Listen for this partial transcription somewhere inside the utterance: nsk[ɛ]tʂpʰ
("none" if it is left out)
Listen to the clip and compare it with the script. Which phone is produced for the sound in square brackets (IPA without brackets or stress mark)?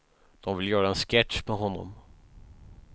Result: ɛ